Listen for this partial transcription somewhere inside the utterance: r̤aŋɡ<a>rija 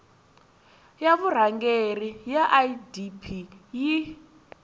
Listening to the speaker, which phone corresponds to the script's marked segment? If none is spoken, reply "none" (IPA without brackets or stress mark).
e